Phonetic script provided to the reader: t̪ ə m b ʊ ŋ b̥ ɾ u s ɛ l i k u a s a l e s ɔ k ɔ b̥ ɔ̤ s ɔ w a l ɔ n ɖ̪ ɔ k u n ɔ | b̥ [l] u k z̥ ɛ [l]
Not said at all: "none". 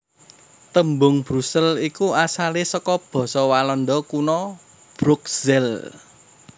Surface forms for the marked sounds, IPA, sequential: ɾ, l

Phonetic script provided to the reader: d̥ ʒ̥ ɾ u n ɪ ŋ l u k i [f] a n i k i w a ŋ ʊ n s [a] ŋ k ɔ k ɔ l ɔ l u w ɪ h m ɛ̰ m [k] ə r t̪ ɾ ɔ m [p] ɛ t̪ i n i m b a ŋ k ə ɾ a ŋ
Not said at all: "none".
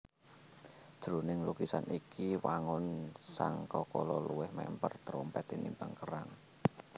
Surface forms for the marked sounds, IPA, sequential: s, a, p, p

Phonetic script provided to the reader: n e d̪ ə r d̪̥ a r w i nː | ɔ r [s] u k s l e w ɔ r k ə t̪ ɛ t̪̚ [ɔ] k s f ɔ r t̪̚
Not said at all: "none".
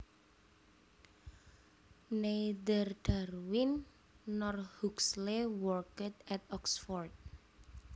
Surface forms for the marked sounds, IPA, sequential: h, ɔ

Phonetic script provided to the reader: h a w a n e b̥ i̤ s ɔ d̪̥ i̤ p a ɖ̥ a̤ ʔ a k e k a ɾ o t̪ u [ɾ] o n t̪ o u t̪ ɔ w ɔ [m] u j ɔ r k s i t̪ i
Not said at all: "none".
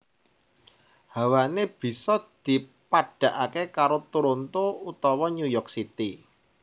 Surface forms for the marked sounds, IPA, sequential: ɾ, ɲ

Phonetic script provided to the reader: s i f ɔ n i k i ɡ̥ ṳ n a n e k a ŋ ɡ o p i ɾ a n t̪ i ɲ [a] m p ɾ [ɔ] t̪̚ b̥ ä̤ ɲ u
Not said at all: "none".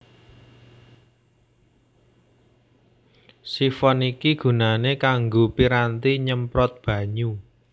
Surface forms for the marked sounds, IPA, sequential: ə, ɔ

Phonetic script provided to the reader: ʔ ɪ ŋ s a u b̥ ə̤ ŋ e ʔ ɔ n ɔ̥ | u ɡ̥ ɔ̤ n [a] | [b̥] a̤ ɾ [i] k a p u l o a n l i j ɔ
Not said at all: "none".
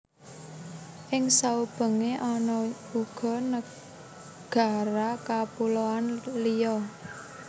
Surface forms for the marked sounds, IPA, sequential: ə, ɡ̥, a

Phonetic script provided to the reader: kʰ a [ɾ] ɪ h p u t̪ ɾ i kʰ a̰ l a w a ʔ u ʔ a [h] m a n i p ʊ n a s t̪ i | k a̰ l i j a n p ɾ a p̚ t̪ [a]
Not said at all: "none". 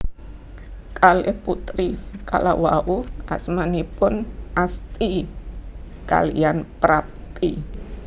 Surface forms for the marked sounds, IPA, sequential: l, s, i

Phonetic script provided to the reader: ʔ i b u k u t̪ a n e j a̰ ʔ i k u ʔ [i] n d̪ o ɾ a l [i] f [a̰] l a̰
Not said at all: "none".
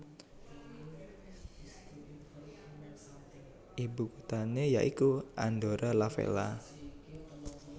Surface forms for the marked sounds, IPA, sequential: a, a, ḛ

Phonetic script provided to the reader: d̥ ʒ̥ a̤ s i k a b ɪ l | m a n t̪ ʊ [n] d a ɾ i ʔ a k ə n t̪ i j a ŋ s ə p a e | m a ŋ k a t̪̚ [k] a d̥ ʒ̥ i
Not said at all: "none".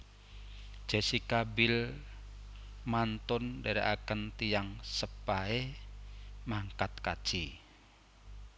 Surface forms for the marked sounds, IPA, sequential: n, k

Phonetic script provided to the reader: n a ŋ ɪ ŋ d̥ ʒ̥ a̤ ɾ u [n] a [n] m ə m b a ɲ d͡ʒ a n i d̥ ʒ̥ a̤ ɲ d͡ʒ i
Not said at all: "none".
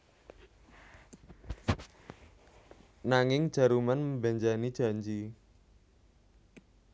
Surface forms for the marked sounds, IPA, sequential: m, n

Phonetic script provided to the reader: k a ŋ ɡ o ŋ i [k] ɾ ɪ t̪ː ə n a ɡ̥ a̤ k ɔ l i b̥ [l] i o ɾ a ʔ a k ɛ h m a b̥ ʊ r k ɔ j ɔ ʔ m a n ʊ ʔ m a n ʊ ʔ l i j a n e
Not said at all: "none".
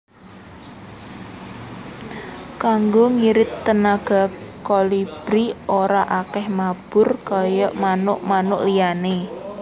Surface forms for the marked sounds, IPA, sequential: none, ɾ

